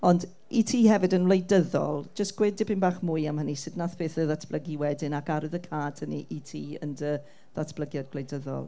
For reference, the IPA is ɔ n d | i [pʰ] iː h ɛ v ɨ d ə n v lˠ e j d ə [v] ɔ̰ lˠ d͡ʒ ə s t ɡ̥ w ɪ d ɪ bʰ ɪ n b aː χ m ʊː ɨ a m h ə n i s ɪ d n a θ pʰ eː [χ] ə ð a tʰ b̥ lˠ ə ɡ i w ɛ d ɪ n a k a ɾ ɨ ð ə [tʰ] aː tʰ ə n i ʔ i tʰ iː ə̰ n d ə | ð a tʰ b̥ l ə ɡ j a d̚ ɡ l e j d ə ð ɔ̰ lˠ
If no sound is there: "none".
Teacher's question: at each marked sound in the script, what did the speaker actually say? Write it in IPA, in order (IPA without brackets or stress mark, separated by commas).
tʰ, ð, θ, kʰ